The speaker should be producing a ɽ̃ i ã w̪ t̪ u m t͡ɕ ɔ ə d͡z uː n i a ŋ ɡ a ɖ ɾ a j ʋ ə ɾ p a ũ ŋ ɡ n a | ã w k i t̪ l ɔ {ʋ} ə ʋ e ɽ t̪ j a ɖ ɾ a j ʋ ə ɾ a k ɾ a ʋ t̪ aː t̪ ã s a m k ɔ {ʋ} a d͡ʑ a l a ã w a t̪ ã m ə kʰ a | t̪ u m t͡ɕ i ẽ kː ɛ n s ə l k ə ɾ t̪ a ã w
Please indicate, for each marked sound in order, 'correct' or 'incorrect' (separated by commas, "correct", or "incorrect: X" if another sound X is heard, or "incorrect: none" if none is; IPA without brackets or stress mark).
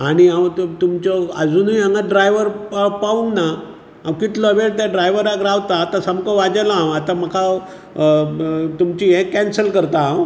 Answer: incorrect: none, correct